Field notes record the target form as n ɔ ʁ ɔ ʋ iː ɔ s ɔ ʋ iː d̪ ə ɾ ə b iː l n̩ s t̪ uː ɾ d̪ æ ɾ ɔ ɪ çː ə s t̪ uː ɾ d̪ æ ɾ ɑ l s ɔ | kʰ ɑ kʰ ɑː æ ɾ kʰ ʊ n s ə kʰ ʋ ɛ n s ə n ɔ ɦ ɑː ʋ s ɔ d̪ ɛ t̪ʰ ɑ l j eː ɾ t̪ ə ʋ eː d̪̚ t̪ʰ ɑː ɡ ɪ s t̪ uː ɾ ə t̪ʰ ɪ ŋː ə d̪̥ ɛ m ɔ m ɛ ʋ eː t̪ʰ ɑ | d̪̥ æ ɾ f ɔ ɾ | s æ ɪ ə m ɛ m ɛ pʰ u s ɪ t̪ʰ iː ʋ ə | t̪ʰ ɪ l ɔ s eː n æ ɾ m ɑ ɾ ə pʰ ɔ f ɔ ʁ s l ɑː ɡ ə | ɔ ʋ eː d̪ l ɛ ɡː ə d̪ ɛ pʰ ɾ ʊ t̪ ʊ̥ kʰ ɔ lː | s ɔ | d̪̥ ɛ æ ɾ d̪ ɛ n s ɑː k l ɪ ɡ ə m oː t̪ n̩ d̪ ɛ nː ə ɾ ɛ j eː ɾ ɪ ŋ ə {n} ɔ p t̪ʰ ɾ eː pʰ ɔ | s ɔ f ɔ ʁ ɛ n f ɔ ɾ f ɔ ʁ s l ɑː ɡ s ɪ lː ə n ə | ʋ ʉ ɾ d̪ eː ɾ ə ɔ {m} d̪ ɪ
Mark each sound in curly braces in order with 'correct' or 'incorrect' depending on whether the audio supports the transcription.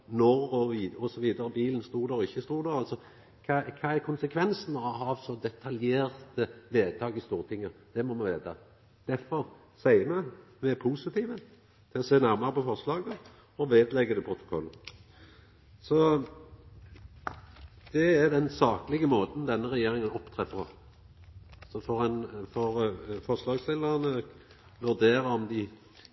correct, correct

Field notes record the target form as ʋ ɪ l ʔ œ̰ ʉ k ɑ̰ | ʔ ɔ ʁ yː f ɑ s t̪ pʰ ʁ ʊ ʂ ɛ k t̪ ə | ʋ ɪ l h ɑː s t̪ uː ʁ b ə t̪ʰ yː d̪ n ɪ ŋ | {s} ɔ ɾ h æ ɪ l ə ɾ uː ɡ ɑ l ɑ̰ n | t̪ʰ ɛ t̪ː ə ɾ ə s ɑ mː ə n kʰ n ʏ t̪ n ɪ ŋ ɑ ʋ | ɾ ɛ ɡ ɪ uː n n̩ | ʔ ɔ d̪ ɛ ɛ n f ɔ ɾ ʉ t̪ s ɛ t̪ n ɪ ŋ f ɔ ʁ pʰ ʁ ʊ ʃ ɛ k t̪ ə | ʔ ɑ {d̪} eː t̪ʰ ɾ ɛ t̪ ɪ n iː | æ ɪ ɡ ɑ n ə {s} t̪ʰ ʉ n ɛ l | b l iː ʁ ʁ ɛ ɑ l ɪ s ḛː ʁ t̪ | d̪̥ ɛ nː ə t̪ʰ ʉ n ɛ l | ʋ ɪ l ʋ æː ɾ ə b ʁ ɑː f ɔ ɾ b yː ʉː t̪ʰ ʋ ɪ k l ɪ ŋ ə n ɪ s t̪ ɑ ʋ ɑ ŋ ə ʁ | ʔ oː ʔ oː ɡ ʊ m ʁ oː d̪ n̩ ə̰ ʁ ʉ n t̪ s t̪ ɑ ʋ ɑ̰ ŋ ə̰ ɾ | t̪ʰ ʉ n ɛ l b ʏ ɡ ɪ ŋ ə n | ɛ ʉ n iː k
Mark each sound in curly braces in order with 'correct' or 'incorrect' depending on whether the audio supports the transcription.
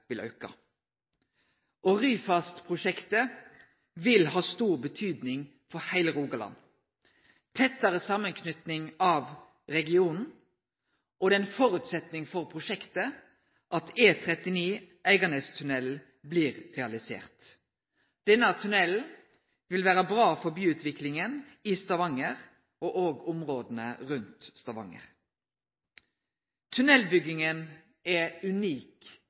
incorrect, incorrect, correct

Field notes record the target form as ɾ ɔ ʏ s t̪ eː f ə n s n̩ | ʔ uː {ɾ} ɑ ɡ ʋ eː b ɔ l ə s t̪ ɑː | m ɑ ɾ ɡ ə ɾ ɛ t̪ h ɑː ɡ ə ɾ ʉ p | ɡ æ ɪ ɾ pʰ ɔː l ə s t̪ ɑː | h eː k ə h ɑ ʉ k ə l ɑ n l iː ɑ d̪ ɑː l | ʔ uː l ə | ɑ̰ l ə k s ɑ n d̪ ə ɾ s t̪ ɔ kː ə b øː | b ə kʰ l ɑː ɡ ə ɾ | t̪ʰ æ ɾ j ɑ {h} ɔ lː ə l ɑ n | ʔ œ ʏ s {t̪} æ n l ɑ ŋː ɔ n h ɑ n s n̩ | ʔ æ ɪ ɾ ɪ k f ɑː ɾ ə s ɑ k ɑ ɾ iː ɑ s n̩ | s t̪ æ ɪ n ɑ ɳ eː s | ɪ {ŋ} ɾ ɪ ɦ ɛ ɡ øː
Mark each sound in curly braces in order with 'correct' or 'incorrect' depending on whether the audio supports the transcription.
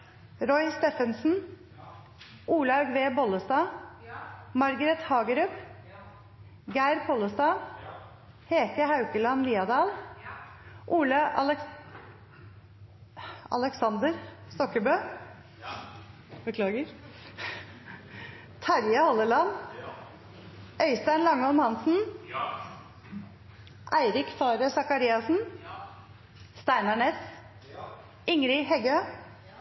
incorrect, correct, correct, correct

